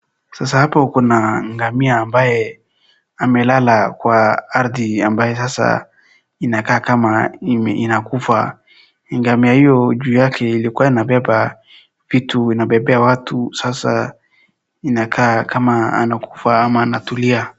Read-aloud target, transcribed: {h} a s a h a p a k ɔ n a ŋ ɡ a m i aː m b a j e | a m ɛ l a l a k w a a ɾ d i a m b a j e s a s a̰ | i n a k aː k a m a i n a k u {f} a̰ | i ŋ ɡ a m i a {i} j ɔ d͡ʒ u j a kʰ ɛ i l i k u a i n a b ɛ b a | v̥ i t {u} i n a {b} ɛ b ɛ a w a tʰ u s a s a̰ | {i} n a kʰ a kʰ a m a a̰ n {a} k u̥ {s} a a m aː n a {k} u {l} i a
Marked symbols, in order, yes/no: no, yes, yes, yes, yes, yes, yes, no, no, yes

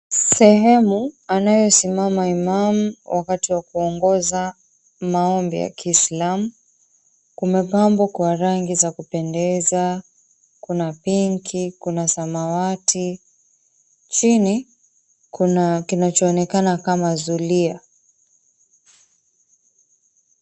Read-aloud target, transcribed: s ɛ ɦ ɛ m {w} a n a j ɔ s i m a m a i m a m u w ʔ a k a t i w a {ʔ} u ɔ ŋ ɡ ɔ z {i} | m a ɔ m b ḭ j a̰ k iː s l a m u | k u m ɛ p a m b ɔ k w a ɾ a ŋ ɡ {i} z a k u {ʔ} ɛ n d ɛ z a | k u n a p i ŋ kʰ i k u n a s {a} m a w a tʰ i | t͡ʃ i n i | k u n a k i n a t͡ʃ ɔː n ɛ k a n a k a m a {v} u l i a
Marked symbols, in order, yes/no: no, no, no, yes, no, yes, no

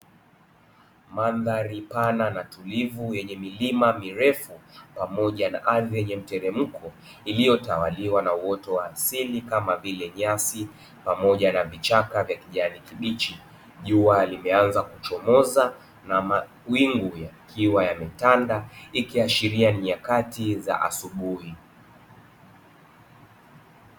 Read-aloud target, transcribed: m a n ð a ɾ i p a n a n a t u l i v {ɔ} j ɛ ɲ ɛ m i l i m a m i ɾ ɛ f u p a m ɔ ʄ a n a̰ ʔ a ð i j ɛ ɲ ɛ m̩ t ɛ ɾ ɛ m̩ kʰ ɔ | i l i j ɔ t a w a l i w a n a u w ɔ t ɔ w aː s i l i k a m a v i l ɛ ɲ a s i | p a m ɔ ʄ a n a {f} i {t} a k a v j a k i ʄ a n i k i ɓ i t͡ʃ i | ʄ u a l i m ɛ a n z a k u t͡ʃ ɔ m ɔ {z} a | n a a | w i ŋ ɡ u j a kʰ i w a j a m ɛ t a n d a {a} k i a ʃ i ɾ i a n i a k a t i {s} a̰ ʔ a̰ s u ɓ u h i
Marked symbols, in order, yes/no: no, no, no, yes, no, no

